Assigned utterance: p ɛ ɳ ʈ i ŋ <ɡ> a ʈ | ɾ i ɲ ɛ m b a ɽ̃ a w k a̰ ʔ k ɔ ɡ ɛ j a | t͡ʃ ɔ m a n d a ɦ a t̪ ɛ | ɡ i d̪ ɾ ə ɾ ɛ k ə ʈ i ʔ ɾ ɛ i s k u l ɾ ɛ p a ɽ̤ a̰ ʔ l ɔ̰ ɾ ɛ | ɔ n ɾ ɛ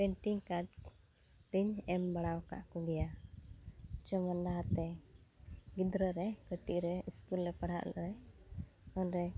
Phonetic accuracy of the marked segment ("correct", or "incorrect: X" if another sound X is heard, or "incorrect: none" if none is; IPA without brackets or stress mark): incorrect: k